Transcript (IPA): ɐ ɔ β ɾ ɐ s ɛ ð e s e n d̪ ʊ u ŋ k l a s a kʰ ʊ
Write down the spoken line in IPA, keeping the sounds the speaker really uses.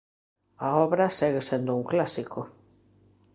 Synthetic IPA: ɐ ɔ β ɾ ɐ s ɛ ɣ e s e n d̪ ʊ u ŋ k l a s i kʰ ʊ